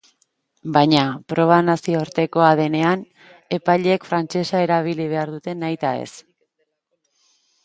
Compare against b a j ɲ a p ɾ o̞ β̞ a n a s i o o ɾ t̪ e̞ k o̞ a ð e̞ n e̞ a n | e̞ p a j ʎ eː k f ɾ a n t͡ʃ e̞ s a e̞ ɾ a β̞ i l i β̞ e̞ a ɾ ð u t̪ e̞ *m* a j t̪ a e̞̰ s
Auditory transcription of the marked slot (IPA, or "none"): n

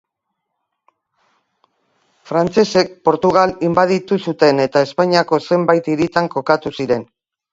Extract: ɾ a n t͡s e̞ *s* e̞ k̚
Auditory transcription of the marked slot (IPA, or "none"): s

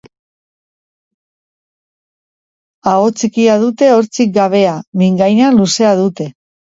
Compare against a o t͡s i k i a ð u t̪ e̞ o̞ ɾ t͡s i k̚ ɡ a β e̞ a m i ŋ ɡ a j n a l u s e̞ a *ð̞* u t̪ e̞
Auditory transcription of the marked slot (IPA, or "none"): ð̞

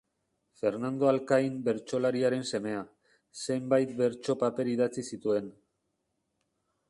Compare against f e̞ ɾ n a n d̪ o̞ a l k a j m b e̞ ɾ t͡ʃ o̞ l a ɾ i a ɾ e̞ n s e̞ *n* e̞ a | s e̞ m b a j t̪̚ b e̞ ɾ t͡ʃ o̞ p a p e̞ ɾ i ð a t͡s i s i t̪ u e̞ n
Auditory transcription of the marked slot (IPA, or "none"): m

